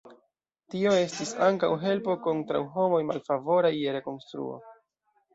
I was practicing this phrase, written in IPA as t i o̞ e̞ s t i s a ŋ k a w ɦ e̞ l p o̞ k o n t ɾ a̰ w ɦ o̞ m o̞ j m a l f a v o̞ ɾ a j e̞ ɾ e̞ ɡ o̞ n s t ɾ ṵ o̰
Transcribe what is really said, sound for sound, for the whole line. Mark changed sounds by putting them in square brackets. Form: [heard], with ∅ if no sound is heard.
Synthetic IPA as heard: t i o̞ e̞ s t i s a ŋ k a w ɦ e̞ l p o̞ k o n t ɾ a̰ w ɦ o̞ m o̞ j m a l f a v o̞ ɾ a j e̞ ɾ e̞ [k] o̞ n s t ɾ ṵ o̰